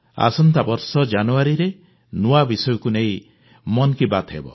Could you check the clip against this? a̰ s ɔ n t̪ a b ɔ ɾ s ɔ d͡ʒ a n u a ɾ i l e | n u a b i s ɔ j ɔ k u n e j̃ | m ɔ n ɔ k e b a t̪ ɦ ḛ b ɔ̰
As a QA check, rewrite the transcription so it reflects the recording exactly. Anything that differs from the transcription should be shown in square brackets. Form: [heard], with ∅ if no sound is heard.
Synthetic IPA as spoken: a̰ s ɔ n t̪ a b ɔ ɾ s ɔ d͡ʒ a n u a ɾ i [ɾ] e | n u a b i s ɔ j ɔ k u n e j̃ | m ɔ n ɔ k [i] b a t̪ ɦ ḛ b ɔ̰